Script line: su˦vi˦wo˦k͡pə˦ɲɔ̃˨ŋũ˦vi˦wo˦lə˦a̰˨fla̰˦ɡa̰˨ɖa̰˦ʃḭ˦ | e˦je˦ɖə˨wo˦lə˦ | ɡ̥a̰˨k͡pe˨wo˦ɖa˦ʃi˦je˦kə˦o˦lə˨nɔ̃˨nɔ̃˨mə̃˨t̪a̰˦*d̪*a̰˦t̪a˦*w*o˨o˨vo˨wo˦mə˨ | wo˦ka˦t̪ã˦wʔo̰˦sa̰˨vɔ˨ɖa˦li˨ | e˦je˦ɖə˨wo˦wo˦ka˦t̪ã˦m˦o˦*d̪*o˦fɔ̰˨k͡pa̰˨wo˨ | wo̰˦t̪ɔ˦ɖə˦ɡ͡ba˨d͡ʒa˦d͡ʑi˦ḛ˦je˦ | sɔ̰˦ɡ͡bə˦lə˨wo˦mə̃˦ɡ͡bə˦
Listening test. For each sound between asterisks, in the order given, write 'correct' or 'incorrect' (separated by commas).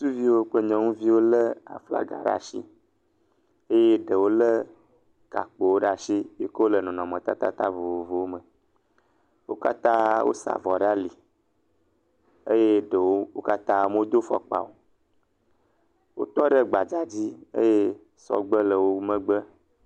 incorrect, incorrect, correct